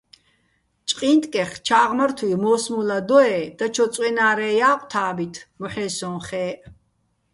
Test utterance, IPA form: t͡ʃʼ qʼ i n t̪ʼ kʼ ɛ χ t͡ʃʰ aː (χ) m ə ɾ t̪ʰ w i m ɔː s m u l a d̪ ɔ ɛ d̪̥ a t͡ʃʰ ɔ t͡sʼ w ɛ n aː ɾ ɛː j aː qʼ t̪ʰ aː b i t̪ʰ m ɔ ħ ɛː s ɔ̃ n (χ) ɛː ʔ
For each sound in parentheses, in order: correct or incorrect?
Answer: incorrect: ʁ, correct

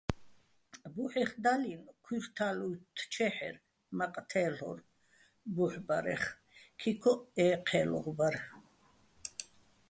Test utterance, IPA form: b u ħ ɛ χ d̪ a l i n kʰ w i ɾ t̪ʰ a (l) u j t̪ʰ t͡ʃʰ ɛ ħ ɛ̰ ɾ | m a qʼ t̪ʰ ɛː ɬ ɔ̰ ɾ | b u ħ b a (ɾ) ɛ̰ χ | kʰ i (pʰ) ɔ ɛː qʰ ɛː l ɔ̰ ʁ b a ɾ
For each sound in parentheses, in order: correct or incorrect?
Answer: correct, correct, incorrect: kʰ

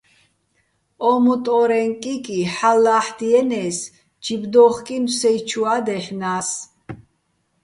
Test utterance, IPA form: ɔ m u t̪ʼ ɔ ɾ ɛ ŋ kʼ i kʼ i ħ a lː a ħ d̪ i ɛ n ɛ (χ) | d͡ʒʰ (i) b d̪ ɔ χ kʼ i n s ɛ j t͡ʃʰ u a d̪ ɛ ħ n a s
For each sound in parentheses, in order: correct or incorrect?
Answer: incorrect: s, correct

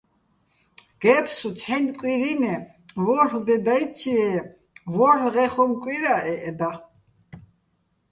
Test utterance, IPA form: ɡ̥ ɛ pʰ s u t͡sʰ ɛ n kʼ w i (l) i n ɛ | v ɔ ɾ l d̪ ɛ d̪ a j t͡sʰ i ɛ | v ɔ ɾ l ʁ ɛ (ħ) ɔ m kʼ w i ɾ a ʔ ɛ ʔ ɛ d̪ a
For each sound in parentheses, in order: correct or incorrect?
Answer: incorrect: ɾ, incorrect: χ

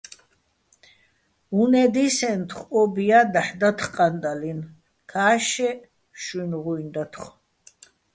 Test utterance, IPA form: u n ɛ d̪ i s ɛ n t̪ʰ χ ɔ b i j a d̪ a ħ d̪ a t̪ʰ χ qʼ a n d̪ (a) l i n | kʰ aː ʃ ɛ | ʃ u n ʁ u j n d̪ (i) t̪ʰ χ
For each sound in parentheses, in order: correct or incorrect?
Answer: correct, incorrect: a

